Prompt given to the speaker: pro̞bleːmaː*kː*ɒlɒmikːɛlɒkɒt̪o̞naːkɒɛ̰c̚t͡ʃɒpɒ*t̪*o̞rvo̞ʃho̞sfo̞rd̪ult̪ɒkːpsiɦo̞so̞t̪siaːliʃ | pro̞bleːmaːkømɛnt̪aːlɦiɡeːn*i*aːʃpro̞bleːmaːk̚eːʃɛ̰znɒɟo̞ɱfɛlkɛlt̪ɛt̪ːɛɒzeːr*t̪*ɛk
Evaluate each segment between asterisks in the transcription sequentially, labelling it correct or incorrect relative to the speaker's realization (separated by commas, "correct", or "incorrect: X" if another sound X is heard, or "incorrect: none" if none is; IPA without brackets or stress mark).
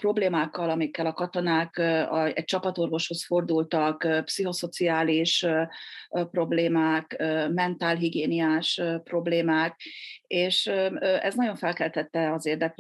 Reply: correct, correct, correct, incorrect: d̪